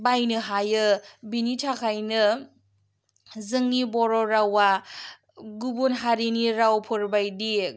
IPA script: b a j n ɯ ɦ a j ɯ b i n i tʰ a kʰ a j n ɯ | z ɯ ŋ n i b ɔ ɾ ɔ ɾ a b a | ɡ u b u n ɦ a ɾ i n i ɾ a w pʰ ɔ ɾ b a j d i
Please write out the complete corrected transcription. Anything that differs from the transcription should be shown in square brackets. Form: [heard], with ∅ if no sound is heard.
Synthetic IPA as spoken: b a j n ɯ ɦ a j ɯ b i n i tʰ a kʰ a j n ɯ | z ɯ ŋ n i b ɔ ɾ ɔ ɾ a [w] a | ɡ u b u n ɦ a ɾ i n i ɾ a w pʰ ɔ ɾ b a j d i